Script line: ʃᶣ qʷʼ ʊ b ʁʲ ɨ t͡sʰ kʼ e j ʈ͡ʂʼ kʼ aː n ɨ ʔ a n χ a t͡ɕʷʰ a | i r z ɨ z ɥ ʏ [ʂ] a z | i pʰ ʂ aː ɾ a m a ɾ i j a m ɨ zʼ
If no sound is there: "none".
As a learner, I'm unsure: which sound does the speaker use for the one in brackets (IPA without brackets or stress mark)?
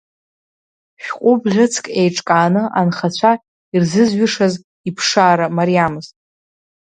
ʂ